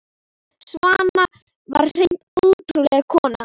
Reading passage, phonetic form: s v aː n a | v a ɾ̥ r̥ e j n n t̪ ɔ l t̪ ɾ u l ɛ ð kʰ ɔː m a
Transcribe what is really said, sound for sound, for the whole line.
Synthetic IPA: s v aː n a | v a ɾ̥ r̥ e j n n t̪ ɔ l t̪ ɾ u l ɛ ɣ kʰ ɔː n a